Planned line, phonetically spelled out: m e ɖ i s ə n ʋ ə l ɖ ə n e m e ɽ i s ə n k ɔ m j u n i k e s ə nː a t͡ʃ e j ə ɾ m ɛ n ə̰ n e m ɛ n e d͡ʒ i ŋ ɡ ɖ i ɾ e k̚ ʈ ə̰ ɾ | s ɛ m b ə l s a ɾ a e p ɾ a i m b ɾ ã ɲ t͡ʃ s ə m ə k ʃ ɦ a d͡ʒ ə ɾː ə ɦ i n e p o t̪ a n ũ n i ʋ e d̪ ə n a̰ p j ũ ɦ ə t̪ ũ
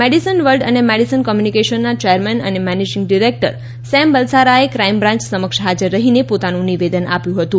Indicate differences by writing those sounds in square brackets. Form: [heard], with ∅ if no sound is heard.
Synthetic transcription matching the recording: m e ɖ i s ə n ʋ ə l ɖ ə n e m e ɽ i s ə n k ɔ m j u n i k e [ʃ] ə nː a t͡ʃ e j ə ɾ m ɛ n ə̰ n e m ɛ n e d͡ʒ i ŋ ɡ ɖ i ɾ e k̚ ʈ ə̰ ɾ | s ɛ m b ə l s a ɾ a e [k] ɾ a i m b ɾ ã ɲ t͡ʃ s ə m ə k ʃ ɦ a d͡ʒ ə ɾː ə ɦ i n e p o t̪ a n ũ n i ʋ e d̪ ə n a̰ p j ũ ɦ ə t̪ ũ